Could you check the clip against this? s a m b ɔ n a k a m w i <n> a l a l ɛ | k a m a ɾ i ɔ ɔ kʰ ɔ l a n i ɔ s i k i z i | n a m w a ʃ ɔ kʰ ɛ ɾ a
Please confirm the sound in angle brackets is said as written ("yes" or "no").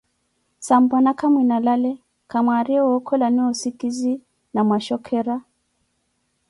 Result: yes